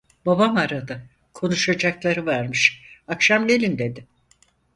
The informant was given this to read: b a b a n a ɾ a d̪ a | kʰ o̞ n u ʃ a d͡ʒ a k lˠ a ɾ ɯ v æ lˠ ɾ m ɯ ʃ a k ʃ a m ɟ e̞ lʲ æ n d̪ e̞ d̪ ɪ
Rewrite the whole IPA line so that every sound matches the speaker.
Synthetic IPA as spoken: b a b a m a ɾ a d̪ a | kʰ o̞ n u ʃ a d͡ʒ a k lˠ a ɾ ɯ v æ ɾ m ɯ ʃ a k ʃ a m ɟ e̞ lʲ i n d̪ e̞ d̪ ɪ